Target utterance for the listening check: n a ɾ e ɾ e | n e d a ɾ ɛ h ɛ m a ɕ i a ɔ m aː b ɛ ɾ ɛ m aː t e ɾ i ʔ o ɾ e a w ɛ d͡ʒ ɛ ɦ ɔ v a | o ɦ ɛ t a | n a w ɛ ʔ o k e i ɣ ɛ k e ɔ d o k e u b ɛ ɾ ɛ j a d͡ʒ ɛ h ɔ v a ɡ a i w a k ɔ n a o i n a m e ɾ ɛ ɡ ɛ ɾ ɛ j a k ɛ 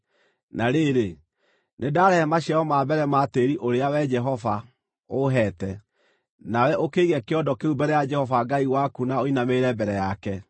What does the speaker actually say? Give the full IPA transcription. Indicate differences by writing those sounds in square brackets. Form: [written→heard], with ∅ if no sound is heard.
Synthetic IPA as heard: n a ɾ e ɾ e | n e d a ɾ ɛ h ɛ m a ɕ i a ɔ m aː b ɛ ɾ ɛ m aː t e ɾ i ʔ o ɾ e a w ɛ d͡ʒ ɛ ɦ ɔ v a | o ɦ ɛ t [a→ɛ] | n a w ɛ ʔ o k e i ɣ ɛ k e ɔ d [o→ɔ] k e u b ɛ ɾ ɛ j a d͡ʒ ɛ h ɔ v a ɡ a i w a k [ɔ→u] n a o i n a m e ɾ ɛ [ɡ→b] ɛ ɾ ɛ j a k ɛ

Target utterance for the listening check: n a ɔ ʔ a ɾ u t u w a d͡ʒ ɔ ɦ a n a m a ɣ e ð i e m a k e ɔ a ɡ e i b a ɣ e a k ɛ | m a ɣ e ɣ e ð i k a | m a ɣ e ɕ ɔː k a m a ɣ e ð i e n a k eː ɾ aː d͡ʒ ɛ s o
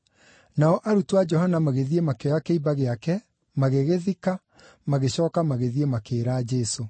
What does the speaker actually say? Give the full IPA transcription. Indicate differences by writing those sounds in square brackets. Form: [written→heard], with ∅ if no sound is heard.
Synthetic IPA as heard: n a ɔ ʔ a ɾ u t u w a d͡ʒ ɔ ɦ a n a m a ɣ e ð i e m a k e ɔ a [ɡ→k] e i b a ɣ e a k ɛ | m a ɣ e ɣ e ð i k a | m a ɣ e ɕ ɔː k a m a ɣ e ð i e [n→m] a k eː ɾ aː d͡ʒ ɛ s o

